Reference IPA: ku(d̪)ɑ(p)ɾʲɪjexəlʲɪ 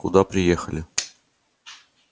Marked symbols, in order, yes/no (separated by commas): yes, yes